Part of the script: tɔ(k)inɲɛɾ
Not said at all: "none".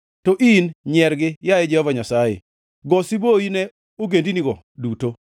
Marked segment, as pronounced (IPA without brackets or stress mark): ʔ